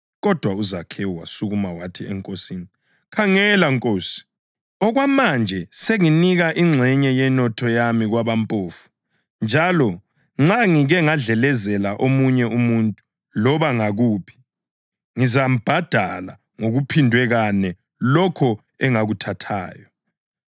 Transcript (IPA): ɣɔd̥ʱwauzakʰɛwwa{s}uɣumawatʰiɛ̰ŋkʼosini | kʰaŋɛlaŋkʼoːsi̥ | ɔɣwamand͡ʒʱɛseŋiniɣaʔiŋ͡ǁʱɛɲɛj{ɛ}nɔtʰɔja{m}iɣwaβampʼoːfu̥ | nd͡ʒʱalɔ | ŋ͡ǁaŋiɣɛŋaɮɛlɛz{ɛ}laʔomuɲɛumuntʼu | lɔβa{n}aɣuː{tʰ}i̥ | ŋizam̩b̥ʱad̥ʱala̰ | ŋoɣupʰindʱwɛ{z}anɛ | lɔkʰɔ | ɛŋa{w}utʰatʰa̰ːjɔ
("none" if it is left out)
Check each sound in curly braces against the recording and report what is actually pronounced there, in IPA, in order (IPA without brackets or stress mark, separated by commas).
s, ɛ, m, ɛ, ŋ, pʰ, ɣ, ɣ